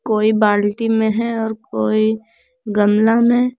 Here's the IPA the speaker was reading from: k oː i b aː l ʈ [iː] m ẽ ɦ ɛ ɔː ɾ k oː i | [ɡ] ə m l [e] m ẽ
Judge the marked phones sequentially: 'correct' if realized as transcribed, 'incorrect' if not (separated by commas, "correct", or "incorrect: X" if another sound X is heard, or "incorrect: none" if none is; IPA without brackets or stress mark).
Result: incorrect: i, correct, incorrect: a